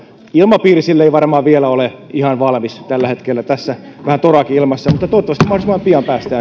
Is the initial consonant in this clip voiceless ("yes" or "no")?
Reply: no